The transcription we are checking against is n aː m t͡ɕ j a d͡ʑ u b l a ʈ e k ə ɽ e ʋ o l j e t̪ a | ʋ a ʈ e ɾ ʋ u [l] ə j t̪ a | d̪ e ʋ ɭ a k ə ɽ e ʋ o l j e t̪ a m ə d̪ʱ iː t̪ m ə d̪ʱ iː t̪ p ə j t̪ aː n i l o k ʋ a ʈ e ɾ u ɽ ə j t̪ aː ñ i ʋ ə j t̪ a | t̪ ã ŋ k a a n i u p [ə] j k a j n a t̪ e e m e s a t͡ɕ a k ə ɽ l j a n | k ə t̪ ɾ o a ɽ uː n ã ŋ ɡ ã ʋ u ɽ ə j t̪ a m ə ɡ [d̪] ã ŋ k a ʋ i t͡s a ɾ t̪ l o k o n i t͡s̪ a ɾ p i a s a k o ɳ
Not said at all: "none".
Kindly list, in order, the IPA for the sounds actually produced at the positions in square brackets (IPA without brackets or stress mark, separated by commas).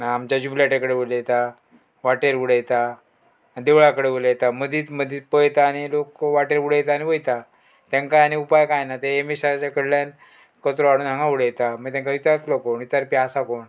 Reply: ɽ, a, t̪